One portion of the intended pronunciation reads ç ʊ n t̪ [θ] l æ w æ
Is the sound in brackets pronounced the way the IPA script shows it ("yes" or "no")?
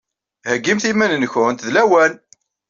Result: no